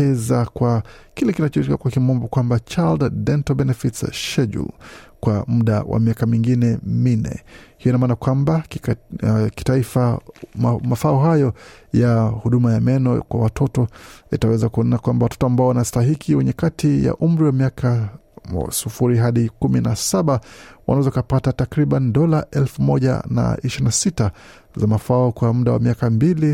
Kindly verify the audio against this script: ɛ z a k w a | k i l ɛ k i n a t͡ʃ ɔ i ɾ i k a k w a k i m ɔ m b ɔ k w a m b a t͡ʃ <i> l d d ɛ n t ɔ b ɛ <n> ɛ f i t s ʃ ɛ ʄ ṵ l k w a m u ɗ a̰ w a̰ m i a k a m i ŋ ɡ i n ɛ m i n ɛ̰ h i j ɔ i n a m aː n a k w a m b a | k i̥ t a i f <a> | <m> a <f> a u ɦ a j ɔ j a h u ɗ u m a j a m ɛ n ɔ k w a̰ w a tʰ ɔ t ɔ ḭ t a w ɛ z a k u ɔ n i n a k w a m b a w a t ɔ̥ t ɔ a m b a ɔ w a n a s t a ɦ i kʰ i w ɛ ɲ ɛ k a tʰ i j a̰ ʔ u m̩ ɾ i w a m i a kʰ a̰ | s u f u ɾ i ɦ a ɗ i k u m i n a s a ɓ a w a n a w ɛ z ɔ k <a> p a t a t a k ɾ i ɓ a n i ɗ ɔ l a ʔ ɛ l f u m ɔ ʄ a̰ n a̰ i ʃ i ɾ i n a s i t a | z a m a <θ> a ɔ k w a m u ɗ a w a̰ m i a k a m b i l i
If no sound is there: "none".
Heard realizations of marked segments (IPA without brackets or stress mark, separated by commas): a, n, a, m, f, a, f